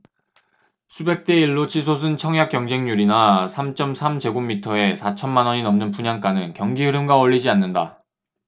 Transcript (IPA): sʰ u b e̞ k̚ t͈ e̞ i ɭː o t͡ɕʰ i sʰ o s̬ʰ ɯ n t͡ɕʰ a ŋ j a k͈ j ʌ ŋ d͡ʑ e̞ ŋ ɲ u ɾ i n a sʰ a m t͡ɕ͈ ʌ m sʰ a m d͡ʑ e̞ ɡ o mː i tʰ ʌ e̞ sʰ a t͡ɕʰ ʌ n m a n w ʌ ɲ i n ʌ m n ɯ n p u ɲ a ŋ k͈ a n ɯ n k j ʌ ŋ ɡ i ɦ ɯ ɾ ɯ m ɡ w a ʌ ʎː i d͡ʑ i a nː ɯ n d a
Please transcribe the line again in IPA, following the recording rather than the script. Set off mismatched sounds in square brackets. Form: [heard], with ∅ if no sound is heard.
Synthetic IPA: sʰ u b e̞ k̚ t͈ e̞ i ɭː o t͡ɕʰ i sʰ o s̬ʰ ɯ n t͡ɕʰ [ʌ] ŋ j a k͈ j ʌ ŋ d͡ʑ e̞ ŋ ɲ u ɾ i n a sʰ a m t͡ɕ͈ ʌ m sʰ a m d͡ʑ e̞ ɡ o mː i tʰ ʌ e̞ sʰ a t͡ɕʰ ʌ n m a n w ʌ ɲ i n ʌ m n ɯ n p u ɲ a ŋ k͈ a n ɯ n k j ʌ ŋ ɡ i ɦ ɯ ɾ ɯ m ɡ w a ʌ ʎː i d͡ʑ i a nː ɯ n d a

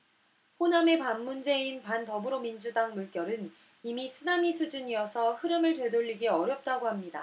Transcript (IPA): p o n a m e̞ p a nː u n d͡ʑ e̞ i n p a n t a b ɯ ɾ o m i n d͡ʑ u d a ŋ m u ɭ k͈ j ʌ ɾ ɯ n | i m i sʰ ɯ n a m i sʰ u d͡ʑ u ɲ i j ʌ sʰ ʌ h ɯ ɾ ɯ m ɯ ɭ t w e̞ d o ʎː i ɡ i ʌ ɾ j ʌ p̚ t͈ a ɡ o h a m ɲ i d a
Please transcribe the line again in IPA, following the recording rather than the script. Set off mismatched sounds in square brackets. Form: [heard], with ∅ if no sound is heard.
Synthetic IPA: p o n a m e̞ p a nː u n d͡ʑ e̞ i n p a n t [ʌ] b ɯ ɾ o m i n d͡ʑ u d a ŋ m u ɭ k͈ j ʌ ɾ ɯ n | i m i sʰ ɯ n a m i sʰ u d͡ʑ u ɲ i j ʌ sʰ ʌ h ɯ ɾ ɯ m ɯ ɭ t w e̞ d o ʎː i ɡ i ʌ ɾ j ʌ p̚ t͈ a ɡ o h a m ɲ i d a

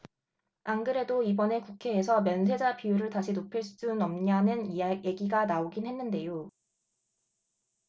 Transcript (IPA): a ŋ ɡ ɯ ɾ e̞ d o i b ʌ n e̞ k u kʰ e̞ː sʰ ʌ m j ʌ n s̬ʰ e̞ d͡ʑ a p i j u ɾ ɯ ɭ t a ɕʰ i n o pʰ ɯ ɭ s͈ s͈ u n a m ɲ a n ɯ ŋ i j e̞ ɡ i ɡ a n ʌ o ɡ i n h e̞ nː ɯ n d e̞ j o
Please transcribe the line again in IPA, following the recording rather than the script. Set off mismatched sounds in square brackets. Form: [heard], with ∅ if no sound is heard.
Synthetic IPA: a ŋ ɡ ɯ ɾ e̞ d o i b ʌ n e̞ k u kʰ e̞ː sʰ ʌ m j ʌ n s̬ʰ e̞ d͡ʑ a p i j u ɾ ɯ ɭ t a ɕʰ i n o pʰ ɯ ɭ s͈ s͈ u n [ʌ] m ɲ a n ɯ [n] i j e̞ ɡ i ɡ a n [a] o ɡ i n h e̞ nː ɯ n d e̞ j o

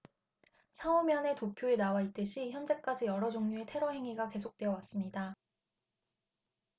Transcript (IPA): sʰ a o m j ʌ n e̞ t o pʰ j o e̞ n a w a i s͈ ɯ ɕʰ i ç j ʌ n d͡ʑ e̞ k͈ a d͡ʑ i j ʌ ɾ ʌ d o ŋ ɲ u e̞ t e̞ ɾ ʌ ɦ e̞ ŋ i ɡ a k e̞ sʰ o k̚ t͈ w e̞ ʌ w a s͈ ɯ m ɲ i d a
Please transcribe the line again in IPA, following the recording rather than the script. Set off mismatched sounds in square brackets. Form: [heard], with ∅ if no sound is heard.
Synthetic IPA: sʰ a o m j ʌ n e̞ t o pʰ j o e̞ n a w a i [t͈] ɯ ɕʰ i ç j ʌ n d͡ʑ e̞ k͈ a d͡ʑ i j ʌ ɾ ʌ [d͡ʑ] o ŋ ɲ u e̞ [tʰ] e̞ ɾ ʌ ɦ e̞ ŋ i ɡ a k e̞ sʰ o k̚ t͈ w e̞ ʌ w a s͈ ɯ m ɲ i d a

